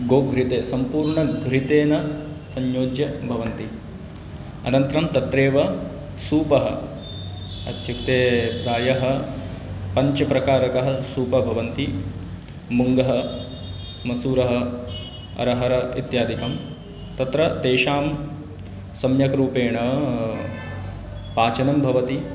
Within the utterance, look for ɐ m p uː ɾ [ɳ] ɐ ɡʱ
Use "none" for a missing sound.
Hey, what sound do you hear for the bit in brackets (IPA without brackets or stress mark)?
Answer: ɳ